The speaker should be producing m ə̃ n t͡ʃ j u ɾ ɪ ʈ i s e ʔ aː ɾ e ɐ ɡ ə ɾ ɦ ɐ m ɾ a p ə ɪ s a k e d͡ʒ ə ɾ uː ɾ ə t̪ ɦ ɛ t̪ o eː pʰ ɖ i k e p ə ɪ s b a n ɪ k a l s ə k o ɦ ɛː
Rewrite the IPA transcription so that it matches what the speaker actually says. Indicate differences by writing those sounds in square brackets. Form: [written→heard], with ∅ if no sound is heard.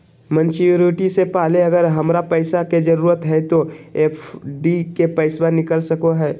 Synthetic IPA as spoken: m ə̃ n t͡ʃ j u ɾ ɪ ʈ i s e [ʔ→p] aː [ɾ→l] e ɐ ɡ ə ɾ ɦ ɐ m ɾ a p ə ɪ s a k e d͡ʒ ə ɾ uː ɾ ə t̪ ɦ ɛ t̪ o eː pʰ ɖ i k e p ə ɪ s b a n ɪ k [a→ə] l s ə k o ɦ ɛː